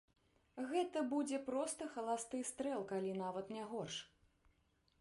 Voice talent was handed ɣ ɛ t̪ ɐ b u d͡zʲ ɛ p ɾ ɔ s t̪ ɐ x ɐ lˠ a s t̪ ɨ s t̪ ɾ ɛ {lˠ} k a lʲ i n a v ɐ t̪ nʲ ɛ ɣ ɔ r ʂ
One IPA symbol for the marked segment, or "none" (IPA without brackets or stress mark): lˠ